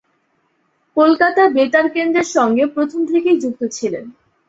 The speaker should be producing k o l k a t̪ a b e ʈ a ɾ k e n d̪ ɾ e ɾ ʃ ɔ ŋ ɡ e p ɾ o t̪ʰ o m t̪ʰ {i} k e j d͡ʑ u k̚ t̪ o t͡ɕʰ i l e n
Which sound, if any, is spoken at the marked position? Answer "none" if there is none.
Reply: e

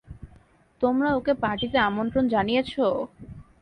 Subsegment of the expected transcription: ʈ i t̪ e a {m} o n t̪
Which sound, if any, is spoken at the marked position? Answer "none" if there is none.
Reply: m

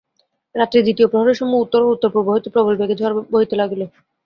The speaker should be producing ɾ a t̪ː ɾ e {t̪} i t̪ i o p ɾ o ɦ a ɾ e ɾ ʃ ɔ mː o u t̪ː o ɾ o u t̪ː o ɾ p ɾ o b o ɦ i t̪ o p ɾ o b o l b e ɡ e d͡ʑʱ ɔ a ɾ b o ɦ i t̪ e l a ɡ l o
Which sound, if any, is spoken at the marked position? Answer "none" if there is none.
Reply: d̪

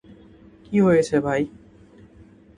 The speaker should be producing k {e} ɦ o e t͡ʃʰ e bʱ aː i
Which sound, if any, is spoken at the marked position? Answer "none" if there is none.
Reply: i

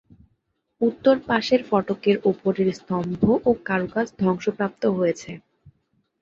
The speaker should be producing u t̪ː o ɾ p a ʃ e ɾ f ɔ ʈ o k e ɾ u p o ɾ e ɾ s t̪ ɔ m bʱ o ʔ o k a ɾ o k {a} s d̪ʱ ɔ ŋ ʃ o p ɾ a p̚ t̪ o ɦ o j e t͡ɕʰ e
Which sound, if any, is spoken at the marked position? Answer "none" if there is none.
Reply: a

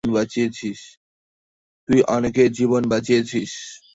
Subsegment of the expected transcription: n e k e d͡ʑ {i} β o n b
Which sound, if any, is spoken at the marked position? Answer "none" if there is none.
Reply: i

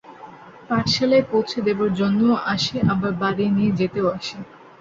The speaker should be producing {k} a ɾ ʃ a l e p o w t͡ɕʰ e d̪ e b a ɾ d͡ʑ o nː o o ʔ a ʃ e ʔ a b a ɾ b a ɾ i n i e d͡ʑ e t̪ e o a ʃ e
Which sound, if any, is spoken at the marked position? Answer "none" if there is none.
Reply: p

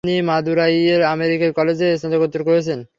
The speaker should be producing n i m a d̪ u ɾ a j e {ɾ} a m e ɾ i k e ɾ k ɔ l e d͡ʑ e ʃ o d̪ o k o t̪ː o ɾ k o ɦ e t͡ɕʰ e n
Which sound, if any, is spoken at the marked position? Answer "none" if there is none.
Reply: ɾ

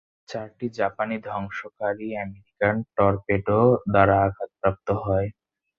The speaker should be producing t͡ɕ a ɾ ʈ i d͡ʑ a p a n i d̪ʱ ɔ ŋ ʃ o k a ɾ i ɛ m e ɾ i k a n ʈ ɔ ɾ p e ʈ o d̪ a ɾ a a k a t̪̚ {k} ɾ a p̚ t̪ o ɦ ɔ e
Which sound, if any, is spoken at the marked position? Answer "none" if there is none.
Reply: p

